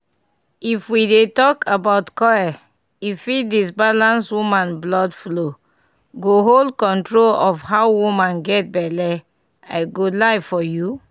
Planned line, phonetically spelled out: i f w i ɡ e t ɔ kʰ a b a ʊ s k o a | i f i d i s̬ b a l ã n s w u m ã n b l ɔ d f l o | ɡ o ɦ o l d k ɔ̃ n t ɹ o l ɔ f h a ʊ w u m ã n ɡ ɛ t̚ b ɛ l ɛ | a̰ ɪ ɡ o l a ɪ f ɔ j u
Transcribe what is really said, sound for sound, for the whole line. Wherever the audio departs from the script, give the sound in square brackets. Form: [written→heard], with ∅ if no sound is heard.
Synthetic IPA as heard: i f w i [ɡ→d] e t ɔ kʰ a b a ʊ [s→t] k [o→ɔ] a | i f i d i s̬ b a l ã n s w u m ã n b l ɔ d f l o | ɡ o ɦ o l d k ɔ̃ n t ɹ o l ɔ f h a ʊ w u m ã n ɡ ɛ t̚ b ɛ l ɛ | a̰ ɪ ɡ o l a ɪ f ɔ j u

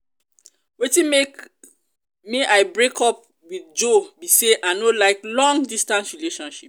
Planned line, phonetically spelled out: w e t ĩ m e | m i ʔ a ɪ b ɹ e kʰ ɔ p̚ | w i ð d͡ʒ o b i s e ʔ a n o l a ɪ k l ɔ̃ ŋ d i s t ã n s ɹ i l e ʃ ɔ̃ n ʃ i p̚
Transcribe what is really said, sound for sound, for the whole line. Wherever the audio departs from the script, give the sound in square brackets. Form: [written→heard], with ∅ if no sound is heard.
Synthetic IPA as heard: w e t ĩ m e | m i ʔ a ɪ b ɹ e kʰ ɔ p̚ | w i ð d͡ʒ o b i s e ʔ a n o l a ɪ k l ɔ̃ ŋ d i s t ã n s ɹ i l e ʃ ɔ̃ n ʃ i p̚

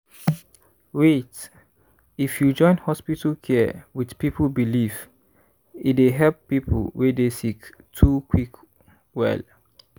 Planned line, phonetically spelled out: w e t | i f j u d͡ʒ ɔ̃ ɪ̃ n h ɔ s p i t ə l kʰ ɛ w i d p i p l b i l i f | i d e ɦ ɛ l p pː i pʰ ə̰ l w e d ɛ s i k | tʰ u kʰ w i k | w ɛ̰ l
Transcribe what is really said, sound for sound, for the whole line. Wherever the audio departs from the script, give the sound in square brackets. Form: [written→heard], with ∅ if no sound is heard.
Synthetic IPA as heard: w e t | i f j u d͡ʒ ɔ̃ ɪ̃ n h ɔ s p i t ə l kʰ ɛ w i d p i p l b i l i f | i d e ɦ ɛ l p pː i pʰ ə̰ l w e d [ɛ→e] s i k | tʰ u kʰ w i k | w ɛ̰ l

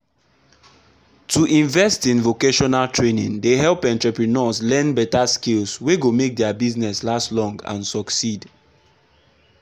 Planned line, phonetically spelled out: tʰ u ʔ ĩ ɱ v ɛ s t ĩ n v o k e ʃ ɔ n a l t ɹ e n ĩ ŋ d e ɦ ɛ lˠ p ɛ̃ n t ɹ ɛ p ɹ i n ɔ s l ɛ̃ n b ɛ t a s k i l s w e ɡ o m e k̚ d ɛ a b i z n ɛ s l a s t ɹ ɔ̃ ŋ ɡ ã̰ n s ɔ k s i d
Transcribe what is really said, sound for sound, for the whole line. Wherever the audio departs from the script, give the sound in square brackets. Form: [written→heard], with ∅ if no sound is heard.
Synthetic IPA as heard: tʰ u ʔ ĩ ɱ v ɛ s t ĩ n v o k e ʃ ɔ n a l t ɹ e n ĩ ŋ d e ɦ ɛ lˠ p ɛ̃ n t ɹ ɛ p ɹ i n ɔ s l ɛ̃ n b ɛ t a s k i l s w e ɡ o m e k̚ d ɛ a b i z n ɛ s l a s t [ɹ→l] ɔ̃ ŋ ɡ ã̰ n s ɔ k s i d

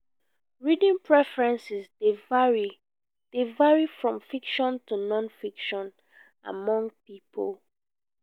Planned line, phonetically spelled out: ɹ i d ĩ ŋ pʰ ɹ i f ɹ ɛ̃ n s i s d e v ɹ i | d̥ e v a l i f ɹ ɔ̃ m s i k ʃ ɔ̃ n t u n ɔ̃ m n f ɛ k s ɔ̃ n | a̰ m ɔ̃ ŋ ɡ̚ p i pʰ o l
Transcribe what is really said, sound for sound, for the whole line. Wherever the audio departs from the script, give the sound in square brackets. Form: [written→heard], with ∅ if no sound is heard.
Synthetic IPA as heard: ɹ i d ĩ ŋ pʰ ɹ [i→ɛ] f ɹ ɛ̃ n s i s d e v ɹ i | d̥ e v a [l→ɹ] i f ɹ ɔ̃ m [s→f] i k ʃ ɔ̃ n t u n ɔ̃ [m→∅] n f [ɛ→i] k [s→ʃ] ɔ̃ n | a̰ m ɔ̃ ŋ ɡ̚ p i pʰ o l

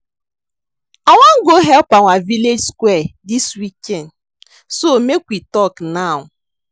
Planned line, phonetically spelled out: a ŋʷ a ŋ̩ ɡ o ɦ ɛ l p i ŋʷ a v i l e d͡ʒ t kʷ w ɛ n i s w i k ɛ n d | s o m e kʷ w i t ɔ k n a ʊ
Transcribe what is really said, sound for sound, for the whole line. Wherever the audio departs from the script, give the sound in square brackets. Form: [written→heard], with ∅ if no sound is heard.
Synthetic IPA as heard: a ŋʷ a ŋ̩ ɡ o ɦ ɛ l p [i→a] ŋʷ a v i l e d͡ʒ [t→s] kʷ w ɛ [n→d] i s w i k ɛ n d | s o m e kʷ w i t ɔ k n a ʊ

